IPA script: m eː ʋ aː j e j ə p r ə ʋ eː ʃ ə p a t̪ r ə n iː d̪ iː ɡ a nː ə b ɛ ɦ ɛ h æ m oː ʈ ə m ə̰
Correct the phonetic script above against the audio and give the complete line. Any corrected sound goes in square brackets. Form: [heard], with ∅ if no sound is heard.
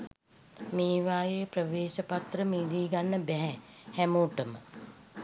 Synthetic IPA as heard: m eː ʋ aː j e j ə p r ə ʋ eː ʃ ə p a t̪ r ə [m] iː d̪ iː ɡ a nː ə b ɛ ɦ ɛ h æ m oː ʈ ə m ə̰

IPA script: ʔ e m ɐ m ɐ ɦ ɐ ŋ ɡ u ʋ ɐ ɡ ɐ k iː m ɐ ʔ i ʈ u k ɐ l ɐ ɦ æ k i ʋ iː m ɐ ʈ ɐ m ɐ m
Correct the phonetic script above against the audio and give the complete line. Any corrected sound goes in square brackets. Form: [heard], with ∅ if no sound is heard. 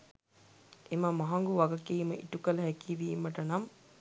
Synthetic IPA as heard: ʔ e m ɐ m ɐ ɦ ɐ ŋ ɡ u ʋ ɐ ɡ ɐ k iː m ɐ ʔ i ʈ u k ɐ l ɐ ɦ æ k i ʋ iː m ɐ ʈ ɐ [n] ɐ m

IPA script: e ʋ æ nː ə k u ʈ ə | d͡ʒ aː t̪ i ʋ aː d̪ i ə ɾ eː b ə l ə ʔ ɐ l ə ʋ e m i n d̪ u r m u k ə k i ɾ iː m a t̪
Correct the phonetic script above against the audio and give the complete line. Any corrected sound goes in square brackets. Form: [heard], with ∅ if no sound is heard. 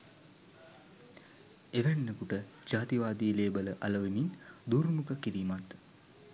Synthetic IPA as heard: e ʋ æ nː ə k u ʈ ə | d͡ʒ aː t̪ i ʋ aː d̪ i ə [l] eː b ə l ə ʔ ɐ l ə ʋ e m i n d̪ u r m u k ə k i ɾ iː m a t̪

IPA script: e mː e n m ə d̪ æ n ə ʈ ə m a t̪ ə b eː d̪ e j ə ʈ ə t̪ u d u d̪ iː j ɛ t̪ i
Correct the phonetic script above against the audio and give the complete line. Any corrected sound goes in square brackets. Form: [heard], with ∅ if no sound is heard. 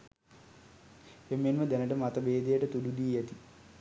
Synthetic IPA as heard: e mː e n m ə d̪ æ n ə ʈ ə m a t̪ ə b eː d̪ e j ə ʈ ə t̪ u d u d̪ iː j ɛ t̪ i

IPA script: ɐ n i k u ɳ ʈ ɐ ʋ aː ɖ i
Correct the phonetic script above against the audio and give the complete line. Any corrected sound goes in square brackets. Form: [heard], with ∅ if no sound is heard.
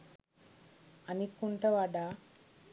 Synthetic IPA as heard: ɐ n i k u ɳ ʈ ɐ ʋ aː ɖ [a]

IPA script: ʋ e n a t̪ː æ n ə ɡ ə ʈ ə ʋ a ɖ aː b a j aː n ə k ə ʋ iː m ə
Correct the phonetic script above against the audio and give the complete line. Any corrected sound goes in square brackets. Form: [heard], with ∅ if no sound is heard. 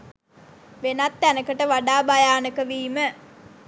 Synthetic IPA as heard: ʋ e n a t̪ː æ n ə [k] ə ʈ ə ʋ a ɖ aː b a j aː n ə k ə ʋ iː m ə

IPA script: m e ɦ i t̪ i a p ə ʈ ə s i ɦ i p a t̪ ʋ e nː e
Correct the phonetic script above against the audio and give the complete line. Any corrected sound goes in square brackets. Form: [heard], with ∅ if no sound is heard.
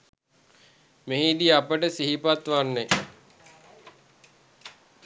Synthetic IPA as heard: m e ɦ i [d̪] i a p ə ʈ ə s i ɦ i p a t̪ ʋ [a] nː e

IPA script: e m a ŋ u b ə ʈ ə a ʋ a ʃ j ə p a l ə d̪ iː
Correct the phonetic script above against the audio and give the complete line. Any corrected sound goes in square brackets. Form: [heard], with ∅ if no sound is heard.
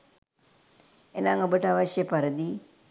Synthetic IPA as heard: e [n] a ŋ [o] b ə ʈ ə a ʋ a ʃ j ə p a [ɾ] ə d̪ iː

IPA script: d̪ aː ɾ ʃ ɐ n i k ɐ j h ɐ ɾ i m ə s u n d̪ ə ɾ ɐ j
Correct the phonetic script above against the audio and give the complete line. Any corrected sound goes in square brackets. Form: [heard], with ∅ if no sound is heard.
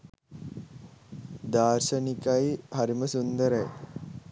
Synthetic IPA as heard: d̪ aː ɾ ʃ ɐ n i k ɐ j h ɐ ɾ i m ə s u n d̪ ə ɾ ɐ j

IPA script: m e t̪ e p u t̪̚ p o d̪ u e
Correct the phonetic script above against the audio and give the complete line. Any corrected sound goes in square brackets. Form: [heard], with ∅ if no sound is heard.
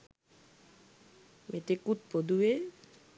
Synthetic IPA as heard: m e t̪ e [k] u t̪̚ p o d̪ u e

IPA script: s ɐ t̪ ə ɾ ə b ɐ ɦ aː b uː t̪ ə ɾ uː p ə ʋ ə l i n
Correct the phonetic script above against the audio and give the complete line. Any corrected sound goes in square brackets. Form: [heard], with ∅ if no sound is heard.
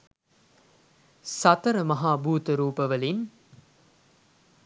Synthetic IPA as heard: s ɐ t̪ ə ɾ ə [m] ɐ ɦ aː b uː t̪ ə ɾ uː p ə ʋ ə l i n

